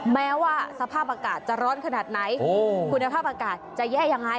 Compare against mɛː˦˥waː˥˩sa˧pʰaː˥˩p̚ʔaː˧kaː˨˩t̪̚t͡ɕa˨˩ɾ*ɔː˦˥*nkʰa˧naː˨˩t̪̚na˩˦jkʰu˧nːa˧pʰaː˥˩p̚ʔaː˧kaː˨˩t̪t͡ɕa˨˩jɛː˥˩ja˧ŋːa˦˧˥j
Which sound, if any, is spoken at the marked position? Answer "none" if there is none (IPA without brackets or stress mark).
ɔː˦˥